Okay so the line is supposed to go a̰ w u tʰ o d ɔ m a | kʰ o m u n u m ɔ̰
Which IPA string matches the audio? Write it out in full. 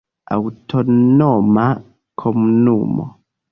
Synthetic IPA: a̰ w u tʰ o n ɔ m a | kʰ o m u n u m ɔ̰

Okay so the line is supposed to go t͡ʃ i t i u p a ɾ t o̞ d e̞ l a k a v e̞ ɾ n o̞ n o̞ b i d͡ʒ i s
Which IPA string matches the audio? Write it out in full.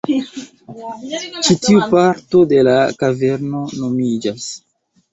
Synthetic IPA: t͡ʃ i t i u p a ɾ t o̞ d e̞ l a k a v e̞ ɾ n o̞ n o̞ m i d͡ʒ a s

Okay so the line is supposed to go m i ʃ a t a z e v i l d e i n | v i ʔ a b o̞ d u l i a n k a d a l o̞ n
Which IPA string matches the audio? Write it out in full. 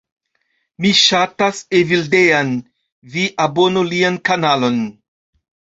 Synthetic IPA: m i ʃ a t a s e v i l d e a n | v i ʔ a b o̞ n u l i a n k a n a l o̞ n

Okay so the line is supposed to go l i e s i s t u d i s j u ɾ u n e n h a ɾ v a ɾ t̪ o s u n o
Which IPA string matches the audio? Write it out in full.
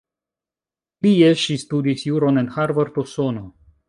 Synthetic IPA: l i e ʃ i s t u d i s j u ɾ o n e n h a ɾ v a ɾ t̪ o s o n o

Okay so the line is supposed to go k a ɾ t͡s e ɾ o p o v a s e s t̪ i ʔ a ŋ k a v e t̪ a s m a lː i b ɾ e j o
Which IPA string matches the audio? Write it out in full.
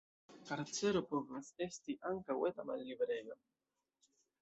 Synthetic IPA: k a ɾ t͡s e ɾ o p o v a s e s t̪ i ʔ a ŋ k a w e t̪ a m a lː i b ɾ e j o

